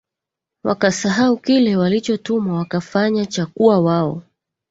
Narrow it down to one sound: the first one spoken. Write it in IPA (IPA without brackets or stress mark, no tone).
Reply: w